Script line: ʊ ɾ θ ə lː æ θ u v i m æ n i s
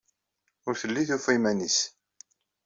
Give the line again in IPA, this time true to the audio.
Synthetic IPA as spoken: ʊ ɾ θ ə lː i θ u f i m æ n i s